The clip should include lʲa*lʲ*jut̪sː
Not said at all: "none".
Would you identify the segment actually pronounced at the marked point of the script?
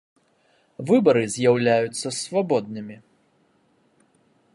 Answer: none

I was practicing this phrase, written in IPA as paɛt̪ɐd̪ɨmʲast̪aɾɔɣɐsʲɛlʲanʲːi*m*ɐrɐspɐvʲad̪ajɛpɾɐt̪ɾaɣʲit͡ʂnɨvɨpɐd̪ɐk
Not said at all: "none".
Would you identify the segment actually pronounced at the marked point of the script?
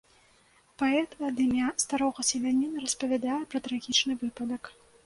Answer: n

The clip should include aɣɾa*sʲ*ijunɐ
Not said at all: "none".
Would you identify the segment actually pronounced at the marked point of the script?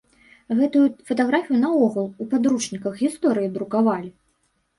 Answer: fʲ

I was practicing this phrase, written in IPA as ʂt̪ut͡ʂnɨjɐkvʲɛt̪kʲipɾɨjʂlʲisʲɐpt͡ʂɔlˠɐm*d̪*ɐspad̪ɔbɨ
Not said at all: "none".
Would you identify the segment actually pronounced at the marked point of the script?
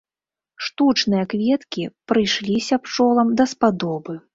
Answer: d̪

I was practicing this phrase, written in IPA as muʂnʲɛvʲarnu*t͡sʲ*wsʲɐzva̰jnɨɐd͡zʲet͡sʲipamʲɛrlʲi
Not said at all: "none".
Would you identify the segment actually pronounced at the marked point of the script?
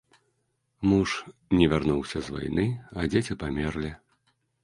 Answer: none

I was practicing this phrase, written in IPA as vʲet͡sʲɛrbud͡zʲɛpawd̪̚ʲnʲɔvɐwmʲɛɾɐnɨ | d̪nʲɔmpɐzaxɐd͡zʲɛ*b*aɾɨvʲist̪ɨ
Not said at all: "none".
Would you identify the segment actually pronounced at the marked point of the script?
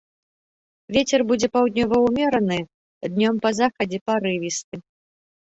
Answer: p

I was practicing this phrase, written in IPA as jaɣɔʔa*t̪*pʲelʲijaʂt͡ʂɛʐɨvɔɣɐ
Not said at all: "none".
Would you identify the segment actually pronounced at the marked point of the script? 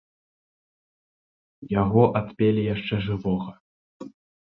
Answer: t̪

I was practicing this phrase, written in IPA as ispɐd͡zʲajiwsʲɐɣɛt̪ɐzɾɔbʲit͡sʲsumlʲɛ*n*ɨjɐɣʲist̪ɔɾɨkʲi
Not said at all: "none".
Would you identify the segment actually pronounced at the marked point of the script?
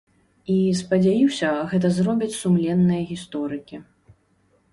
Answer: nː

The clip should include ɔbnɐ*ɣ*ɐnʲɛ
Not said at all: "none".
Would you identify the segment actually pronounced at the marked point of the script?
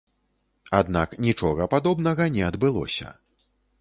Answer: ɣ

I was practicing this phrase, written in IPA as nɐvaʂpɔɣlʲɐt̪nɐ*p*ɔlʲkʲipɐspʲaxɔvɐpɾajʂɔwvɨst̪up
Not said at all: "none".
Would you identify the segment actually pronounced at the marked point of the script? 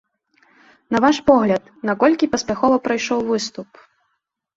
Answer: k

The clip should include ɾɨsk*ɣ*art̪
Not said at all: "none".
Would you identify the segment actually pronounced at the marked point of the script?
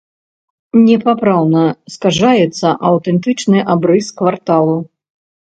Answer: v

